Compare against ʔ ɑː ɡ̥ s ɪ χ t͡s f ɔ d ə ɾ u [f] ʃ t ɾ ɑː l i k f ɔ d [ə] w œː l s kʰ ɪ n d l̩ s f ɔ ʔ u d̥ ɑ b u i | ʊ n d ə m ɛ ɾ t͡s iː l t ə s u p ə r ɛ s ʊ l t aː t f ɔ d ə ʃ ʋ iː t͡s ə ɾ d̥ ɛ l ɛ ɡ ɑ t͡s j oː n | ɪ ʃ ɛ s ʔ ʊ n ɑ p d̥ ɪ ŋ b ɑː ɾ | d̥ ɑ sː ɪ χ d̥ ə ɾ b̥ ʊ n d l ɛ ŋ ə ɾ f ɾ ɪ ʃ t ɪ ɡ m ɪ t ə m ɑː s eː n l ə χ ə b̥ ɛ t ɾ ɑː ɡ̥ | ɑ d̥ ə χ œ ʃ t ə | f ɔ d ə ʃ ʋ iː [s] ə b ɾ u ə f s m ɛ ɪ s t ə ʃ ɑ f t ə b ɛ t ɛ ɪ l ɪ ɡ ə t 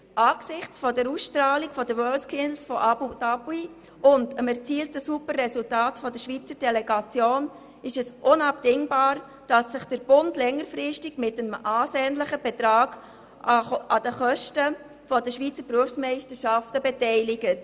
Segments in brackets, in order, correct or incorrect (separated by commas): incorrect, correct, incorrect